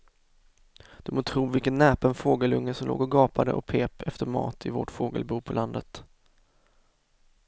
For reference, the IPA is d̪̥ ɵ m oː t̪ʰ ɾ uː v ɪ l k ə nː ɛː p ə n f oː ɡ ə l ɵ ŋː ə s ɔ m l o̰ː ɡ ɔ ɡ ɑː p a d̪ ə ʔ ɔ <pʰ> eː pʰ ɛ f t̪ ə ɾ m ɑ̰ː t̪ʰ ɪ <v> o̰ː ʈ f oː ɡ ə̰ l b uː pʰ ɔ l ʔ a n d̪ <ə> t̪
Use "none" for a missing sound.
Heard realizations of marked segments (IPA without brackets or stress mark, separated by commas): pʰ, v, ə